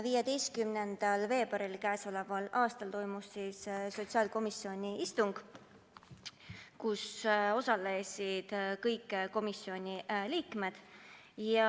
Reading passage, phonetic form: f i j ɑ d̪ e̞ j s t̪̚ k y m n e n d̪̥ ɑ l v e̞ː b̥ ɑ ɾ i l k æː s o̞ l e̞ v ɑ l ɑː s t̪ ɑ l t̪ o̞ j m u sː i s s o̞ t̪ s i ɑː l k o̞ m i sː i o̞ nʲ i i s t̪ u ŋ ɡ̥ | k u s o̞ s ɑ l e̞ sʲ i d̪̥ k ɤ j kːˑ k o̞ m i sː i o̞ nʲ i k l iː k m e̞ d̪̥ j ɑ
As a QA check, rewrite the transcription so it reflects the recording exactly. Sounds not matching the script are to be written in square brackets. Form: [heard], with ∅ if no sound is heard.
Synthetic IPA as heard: [v] i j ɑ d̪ e̞ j s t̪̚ k y m n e n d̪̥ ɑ l v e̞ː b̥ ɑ ɾ i l k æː s o̞ l e̞ v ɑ l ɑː s t̪ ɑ l t̪ o̞ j m u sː i s s o̞ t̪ s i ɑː l k o̞ m i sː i o̞ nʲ i i s t̪ u ŋ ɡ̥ | k u s o̞ s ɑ l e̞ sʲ i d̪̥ k ɤ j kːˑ k o̞ m i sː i o̞ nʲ i [∅] l iː k m e̞ d̪̥ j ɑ